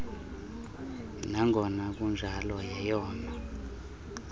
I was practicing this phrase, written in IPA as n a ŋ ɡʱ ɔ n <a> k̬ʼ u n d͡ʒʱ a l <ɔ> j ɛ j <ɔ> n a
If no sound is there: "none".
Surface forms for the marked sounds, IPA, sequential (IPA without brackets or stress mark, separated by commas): a, ɔ, ɔː